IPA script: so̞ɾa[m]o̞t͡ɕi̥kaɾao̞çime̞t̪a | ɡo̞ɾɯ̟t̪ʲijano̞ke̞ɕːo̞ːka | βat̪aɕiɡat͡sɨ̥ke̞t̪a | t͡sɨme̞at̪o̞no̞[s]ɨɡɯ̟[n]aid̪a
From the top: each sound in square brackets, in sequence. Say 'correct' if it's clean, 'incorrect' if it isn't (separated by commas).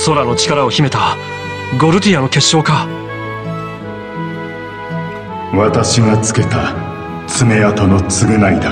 incorrect, incorrect, correct